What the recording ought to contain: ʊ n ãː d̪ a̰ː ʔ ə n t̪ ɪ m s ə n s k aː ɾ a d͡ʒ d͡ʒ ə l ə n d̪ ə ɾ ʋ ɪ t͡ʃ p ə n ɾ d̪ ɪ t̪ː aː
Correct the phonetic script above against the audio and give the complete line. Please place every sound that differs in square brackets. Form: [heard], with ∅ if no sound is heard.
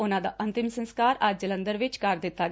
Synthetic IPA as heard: ʊ n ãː d̪ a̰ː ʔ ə n t̪ ɪ m s ə n s k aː ɾ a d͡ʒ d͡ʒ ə l ə n d̪ ə ɾ ʋ ɪ t͡ʃ [k] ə [∅] ɾ d̪ ɪ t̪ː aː